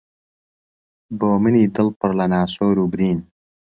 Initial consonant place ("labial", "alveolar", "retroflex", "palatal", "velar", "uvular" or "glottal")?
labial